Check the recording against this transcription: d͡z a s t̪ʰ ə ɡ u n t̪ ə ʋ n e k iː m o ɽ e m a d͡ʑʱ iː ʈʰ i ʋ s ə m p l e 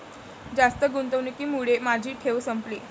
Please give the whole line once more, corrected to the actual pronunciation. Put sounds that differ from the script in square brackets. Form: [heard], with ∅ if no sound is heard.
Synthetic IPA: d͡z a s [t̪] ə ɡ u n t̪ ə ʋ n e k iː m [u] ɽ e m a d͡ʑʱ iː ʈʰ [e] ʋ s ə m p l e